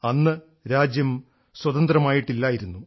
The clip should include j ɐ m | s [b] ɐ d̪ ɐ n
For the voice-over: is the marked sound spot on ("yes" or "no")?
no